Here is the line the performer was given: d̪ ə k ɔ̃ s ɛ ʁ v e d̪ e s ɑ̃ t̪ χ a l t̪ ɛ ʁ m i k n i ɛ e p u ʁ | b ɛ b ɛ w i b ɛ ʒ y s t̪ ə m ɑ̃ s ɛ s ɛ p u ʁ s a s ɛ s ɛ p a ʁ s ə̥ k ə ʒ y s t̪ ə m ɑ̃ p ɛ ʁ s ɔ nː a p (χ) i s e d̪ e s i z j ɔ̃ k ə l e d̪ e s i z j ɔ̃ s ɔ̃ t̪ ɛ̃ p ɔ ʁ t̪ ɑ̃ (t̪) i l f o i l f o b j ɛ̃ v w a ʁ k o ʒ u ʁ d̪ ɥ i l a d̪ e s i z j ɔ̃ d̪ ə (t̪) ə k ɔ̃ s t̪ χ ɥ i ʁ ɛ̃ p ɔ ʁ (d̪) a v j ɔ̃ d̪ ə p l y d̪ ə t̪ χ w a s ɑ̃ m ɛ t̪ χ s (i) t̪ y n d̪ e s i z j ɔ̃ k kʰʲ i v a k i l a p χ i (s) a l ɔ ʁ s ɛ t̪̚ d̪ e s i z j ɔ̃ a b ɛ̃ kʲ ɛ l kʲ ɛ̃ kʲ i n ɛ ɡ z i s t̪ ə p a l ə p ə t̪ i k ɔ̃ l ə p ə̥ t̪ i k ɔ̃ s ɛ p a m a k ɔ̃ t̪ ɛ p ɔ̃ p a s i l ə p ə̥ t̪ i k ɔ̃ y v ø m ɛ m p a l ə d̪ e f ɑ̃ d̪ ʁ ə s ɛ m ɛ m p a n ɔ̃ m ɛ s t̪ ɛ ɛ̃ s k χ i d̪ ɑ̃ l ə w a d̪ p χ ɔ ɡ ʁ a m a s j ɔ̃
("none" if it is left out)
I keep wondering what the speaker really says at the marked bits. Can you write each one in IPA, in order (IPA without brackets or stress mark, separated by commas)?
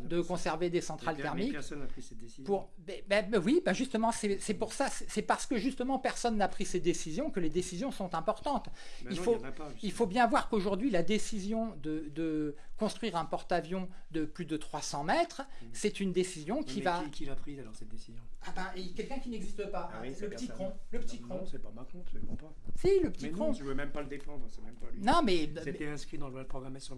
χ, t̪, d̪, t̪, ɛ, z